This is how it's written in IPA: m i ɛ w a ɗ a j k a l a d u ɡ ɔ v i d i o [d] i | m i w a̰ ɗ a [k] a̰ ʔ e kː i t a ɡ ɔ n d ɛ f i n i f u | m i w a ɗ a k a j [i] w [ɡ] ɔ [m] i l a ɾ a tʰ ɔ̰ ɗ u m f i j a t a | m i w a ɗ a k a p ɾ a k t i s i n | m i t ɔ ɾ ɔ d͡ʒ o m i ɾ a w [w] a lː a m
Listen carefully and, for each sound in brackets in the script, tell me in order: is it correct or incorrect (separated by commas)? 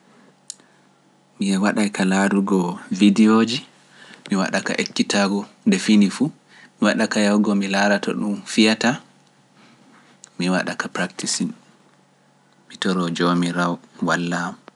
incorrect, correct, incorrect, correct, correct, correct